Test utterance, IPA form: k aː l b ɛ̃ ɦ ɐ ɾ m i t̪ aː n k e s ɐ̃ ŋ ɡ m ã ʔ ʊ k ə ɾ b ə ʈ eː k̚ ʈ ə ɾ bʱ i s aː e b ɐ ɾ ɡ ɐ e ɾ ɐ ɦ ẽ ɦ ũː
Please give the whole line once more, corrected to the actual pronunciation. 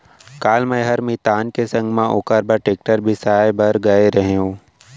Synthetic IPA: k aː l m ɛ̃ ɦ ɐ ɾ m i t̪ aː n k e s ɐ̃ ŋ ɡ m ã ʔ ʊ k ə ɾ b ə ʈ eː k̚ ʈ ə ɾ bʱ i s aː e b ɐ ɾ ɡ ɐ e ɾ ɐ ɦ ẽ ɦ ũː